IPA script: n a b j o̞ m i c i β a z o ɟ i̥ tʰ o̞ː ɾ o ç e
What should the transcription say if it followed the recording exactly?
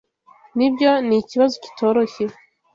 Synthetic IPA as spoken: n i b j o̞ n i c i β a z o c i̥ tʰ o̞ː ɾ o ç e